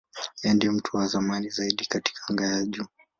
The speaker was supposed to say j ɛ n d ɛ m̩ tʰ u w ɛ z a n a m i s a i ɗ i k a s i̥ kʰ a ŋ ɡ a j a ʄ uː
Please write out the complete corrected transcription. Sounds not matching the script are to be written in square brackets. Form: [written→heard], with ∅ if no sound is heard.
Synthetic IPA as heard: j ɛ n d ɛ m̩ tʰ u w [ɛ→a] z a [n→m] a [m→n] i [s→z] a i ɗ i k a [s→t] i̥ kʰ a ŋ ɡ a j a ʄ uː